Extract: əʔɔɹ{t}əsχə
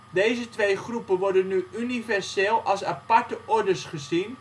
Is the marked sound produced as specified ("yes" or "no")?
no